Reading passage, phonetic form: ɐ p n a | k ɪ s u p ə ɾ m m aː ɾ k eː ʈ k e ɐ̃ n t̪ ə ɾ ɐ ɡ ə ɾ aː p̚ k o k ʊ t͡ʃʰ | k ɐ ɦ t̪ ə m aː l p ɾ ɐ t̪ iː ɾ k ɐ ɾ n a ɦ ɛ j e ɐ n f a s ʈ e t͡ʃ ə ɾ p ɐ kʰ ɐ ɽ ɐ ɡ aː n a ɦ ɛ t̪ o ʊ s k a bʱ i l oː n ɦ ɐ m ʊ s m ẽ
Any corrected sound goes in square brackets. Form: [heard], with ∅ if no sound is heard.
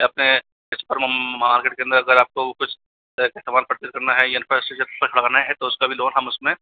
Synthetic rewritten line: ɐ p n [e] | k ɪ s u p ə ɾ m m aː ɾ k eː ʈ k e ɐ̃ n [d̪] ə ɾ ɐ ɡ ə ɾ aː p̚ k o k ʊ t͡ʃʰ | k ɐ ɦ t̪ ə m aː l p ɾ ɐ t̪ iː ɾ k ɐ ɾ n a ɦ ɛ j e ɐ n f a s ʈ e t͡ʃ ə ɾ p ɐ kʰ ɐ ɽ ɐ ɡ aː n a ɦ ɛ t̪ o ʊ s k a bʱ i l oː n ɦ ɐ m ʊ s m ẽ